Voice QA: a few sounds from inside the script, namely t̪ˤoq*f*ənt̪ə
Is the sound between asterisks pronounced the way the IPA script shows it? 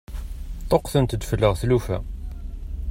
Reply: no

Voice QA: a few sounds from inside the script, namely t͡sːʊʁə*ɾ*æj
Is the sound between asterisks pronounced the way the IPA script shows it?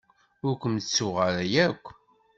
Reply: yes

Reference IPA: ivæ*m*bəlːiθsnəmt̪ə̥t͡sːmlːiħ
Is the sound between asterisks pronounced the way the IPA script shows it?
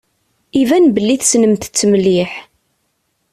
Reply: no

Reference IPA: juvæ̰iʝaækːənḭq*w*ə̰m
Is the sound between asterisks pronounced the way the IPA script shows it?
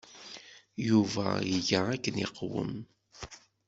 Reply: yes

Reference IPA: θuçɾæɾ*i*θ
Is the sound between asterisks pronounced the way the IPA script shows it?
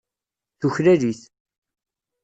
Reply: yes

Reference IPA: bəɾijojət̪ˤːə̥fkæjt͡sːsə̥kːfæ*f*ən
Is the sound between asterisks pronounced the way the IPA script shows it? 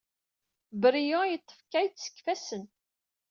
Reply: no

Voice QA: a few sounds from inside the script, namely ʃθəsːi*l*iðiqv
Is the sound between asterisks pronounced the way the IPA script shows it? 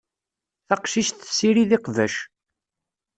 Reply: no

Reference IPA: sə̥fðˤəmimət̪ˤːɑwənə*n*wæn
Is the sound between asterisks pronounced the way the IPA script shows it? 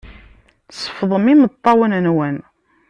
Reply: yes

